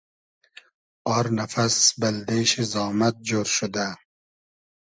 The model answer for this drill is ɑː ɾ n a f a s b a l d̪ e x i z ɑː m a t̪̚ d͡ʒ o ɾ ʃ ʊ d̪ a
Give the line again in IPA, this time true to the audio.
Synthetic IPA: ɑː ɾ n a f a s b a l d̪ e ʃ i z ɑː m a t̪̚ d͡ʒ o ɾ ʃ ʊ d̪ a

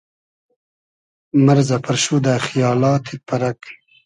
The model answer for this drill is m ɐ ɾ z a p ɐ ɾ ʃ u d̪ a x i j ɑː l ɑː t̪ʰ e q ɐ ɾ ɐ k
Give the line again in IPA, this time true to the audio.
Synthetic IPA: m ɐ ɾ z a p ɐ ɾ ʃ u d̪ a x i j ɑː l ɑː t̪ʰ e p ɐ ɾ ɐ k

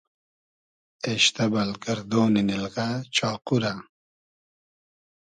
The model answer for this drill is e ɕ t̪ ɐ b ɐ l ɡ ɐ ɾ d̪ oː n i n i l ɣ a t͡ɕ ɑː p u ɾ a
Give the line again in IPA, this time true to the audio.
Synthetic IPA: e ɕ t̪ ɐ b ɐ l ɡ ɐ ɾ d̪ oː n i n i l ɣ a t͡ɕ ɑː q u ɾ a

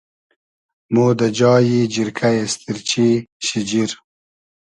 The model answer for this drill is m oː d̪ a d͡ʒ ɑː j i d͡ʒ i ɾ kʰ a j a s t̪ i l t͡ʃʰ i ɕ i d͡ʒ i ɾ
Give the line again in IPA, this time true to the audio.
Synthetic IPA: m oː d̪ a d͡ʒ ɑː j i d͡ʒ i ɾ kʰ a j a s t̪ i ɾ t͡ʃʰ i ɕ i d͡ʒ i ɾ

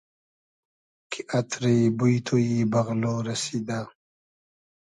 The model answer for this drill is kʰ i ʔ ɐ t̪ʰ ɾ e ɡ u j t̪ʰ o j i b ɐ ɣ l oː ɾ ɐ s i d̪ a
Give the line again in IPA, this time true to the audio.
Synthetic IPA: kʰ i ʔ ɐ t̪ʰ ɾ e b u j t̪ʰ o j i b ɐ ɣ l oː ɾ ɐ s i d̪ a

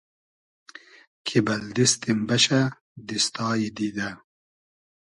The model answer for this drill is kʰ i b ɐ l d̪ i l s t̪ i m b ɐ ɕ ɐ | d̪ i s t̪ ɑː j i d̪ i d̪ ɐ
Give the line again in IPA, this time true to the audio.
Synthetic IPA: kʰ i b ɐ l d̪ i s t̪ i m b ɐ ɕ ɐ | d̪ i s t̪ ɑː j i d̪ i d̪ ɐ

